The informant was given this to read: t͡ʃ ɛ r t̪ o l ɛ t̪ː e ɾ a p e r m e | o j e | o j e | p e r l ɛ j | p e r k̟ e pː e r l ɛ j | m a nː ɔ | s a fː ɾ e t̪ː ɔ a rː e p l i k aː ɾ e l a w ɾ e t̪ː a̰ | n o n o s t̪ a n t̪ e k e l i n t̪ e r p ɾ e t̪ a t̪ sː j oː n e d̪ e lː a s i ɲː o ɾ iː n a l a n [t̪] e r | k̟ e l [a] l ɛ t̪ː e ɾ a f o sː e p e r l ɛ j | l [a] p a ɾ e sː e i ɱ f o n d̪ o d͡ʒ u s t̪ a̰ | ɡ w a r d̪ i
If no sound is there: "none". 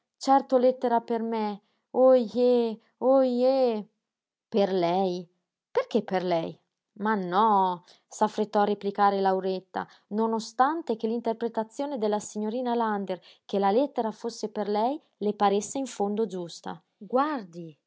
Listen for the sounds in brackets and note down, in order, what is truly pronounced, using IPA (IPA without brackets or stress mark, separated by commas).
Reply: d̪, a, e